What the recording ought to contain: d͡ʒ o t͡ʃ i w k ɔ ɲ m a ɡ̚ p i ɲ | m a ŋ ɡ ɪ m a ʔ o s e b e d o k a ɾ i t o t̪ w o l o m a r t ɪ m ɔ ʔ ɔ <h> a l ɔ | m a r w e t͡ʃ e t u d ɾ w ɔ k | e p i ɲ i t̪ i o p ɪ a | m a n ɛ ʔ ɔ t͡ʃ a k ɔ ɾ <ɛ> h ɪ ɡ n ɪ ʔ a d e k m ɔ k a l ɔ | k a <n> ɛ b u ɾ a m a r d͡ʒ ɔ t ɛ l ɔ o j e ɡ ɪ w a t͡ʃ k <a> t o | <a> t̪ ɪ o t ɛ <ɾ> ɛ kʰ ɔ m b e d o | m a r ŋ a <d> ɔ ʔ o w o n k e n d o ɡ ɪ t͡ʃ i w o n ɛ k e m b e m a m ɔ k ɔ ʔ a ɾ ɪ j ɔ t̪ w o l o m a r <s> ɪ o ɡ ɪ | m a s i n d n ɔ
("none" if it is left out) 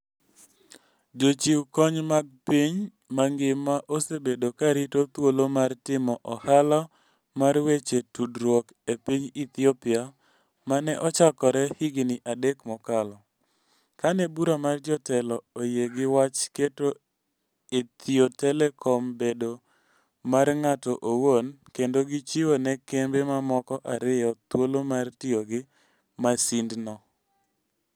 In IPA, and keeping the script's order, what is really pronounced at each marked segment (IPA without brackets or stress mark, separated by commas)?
h, ɛ, n, e, e, l, t, t